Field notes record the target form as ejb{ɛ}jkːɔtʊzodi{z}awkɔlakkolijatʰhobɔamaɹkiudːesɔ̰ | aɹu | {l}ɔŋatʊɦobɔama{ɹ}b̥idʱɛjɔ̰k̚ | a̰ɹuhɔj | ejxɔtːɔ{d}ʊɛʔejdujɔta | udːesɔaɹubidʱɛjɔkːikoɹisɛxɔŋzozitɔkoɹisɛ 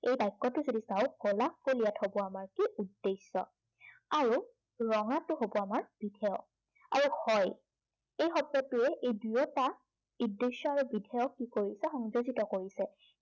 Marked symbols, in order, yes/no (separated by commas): no, no, no, yes, no